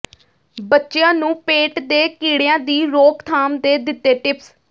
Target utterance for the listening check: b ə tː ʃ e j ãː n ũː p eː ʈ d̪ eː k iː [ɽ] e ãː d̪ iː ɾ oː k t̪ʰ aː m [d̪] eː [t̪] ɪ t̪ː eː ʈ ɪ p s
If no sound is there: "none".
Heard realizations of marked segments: ɽ, d̪, d̪

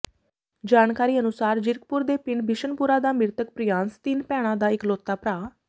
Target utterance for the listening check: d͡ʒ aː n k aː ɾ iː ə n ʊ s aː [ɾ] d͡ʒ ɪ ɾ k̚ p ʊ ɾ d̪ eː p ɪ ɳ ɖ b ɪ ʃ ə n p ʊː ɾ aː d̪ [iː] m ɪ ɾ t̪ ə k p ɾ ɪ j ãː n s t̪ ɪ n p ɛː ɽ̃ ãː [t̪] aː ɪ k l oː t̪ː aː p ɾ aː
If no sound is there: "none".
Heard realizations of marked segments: ɾ, aː, d̪

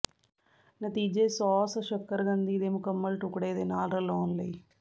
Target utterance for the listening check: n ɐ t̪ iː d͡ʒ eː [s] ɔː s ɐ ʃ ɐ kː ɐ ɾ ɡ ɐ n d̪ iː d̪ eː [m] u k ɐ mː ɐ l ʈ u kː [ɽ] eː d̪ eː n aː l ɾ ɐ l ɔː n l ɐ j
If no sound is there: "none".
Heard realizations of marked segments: s, m, ɽ

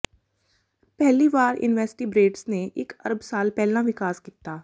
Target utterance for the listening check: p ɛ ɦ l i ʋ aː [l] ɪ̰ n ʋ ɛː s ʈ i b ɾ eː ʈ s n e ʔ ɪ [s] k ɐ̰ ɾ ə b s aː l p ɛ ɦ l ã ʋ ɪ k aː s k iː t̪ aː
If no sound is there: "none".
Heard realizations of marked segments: ɾ, none

